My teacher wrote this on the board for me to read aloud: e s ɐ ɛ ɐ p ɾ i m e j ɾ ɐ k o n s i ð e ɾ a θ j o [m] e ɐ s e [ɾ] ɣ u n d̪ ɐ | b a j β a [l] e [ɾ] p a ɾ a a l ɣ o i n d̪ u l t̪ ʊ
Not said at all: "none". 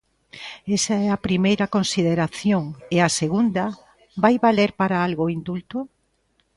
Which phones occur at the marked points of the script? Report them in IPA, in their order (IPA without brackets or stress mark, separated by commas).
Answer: ŋ, none, l, ɾ